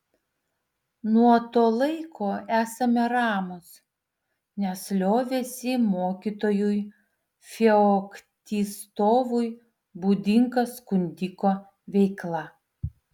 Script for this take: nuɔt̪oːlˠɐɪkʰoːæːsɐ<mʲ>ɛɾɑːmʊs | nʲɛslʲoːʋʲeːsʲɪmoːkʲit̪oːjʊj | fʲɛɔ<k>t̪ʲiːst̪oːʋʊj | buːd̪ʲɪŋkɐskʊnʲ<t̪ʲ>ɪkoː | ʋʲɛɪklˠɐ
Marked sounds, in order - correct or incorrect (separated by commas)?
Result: correct, correct, incorrect